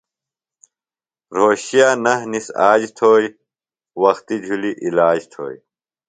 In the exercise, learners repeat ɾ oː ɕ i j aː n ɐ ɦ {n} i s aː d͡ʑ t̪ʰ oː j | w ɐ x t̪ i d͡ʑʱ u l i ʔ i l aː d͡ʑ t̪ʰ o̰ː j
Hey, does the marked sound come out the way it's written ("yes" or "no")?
yes